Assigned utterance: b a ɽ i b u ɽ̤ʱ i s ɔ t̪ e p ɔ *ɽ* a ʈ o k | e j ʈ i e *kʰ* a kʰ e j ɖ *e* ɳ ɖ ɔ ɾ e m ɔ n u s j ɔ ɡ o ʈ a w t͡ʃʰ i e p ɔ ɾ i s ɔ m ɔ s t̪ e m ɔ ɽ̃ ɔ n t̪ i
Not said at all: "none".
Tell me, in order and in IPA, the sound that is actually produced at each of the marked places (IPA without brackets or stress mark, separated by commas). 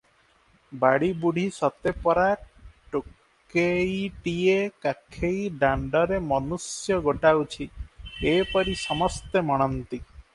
ɾ, k, a